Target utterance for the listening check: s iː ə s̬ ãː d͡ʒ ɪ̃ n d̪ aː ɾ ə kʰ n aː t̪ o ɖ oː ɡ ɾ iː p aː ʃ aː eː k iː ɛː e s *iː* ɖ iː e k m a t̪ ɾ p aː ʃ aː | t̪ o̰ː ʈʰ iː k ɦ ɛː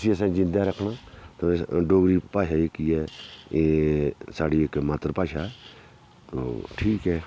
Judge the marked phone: incorrect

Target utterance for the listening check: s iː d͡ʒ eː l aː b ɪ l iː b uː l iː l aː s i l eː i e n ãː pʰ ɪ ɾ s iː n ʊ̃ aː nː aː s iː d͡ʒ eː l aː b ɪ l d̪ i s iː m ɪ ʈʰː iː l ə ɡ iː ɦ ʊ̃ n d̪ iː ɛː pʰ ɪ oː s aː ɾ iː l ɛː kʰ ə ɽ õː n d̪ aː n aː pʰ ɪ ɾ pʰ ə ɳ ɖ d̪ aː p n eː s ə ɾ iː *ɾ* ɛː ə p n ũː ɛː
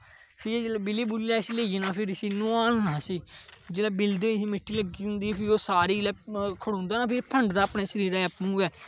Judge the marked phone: correct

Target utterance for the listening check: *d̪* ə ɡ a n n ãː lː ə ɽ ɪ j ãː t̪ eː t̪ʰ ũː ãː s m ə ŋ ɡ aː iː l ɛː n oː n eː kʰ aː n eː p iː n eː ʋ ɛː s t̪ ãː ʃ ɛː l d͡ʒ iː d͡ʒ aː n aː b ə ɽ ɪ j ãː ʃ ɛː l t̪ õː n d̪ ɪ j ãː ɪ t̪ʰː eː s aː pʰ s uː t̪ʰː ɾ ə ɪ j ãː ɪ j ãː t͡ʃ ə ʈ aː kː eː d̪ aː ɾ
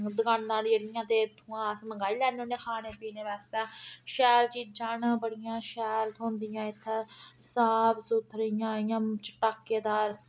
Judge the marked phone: correct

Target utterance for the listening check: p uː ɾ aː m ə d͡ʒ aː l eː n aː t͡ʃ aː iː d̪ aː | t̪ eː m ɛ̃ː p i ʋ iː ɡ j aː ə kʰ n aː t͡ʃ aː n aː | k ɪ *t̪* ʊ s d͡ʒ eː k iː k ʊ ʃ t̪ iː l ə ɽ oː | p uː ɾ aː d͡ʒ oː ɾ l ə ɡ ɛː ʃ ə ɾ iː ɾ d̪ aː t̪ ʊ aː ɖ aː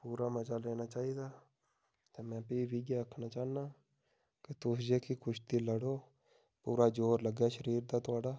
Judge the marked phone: correct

